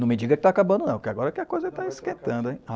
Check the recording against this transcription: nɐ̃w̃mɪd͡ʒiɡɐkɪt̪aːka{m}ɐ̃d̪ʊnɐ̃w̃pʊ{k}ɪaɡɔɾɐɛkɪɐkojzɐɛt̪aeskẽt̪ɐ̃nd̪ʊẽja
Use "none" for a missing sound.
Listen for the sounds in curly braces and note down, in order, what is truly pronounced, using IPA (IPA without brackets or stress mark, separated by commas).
b, k